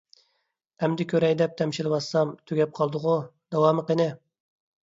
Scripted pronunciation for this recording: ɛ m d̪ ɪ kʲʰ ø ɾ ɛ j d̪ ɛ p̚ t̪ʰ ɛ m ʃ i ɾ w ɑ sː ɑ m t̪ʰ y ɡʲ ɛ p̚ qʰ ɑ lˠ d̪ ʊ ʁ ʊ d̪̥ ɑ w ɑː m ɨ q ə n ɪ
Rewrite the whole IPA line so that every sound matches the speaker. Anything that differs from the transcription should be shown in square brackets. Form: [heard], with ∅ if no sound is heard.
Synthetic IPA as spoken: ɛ m d̪ ɪ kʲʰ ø ɾ ɛ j d̪ ɛ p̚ t̪ʰ ɛ m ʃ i [l] w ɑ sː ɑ m t̪ʰ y ɡʲ ɛ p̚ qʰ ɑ lˠ d̪ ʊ ʁ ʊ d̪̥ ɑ w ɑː m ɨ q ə n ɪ

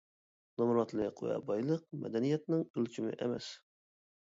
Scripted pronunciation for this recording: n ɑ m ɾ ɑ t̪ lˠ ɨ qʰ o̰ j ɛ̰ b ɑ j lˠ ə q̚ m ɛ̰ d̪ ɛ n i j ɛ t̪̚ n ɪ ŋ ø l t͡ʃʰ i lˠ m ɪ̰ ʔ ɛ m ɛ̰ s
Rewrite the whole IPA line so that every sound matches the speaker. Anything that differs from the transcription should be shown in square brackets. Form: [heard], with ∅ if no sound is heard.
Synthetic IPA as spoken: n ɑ m ɾ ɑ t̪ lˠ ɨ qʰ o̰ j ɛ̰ b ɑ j lˠ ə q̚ m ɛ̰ d̪ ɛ n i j ɛ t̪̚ n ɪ ŋ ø l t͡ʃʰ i [∅] m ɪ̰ ʔ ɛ m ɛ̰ s

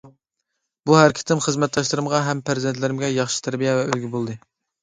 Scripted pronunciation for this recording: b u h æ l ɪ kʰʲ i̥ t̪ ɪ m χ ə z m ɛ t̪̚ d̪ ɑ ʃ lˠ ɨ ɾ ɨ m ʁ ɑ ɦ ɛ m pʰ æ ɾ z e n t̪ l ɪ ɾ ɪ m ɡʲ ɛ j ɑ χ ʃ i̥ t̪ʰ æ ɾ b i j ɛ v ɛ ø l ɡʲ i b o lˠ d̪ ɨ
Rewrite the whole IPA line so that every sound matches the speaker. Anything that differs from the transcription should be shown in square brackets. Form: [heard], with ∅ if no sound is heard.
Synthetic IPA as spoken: b u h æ [ɾ] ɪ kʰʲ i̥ t̪ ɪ m χ ə z m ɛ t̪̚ d̪ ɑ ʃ lˠ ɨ ɾ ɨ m ʁ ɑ ɦ ɛ m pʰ æ ɾ z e n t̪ l ɪ ɾ ɪ m ɡʲ ɛ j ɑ χ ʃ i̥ t̪ʰ æ ɾ b i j ɛ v ɛ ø l ɡʲ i b o lˠ d̪ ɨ

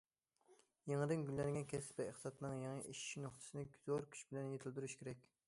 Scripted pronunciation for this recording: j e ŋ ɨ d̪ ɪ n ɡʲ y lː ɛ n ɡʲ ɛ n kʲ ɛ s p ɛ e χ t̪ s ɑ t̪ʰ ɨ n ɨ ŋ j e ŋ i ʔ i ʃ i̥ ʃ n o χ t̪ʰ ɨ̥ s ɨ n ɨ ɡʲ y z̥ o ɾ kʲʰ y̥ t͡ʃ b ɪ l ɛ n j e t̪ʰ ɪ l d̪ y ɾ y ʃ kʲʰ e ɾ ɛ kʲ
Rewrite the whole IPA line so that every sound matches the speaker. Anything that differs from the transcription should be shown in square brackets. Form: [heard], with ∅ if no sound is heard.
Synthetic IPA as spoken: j e ŋ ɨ d̪ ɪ n ɡʲ y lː ɛ n ɡʲ ɛ n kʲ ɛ s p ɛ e χ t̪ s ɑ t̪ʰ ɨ n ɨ ŋ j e ŋ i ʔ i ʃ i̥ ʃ n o χ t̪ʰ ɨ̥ s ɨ n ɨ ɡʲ y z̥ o ɾ kʲʰ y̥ t͡ʃ b ɪ l ɛ n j e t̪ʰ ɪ l d̪ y ɾ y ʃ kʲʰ e ɾ ɛ kʲ

